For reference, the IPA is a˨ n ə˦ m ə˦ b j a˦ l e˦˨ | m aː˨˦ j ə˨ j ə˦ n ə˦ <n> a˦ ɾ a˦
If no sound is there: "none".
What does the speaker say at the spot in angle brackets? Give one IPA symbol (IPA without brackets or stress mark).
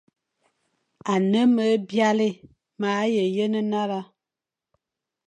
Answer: n